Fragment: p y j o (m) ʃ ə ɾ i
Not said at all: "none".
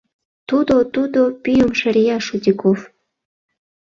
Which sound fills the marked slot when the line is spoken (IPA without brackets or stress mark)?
m